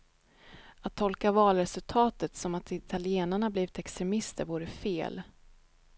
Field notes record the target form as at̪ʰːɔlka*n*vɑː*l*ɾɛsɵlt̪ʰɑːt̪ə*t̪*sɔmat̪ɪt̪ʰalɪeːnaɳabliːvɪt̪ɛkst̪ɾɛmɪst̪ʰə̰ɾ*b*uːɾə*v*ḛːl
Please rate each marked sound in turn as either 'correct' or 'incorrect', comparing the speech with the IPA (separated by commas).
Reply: incorrect, correct, correct, incorrect, incorrect